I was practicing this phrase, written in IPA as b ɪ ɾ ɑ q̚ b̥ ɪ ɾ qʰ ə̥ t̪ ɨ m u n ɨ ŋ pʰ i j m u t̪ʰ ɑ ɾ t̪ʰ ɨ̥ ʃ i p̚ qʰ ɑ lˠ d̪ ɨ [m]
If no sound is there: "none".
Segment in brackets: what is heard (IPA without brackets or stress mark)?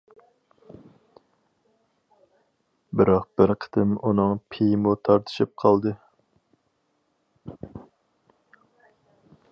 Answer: none